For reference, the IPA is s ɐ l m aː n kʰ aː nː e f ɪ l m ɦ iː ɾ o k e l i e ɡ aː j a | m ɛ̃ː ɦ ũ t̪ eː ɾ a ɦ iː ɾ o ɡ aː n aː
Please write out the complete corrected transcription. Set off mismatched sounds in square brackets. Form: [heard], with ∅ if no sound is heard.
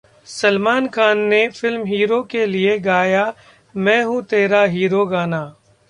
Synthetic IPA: s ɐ l m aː n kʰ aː nː e f ɪ l m ɦ iː ɾ o k e l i e ɡ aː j a | m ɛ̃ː ɦ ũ t̪ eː ɾ a ɦ iː ɾ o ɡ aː n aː